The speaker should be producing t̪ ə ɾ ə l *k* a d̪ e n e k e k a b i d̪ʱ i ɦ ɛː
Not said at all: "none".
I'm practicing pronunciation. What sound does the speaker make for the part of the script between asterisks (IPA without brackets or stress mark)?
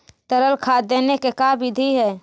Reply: kʰ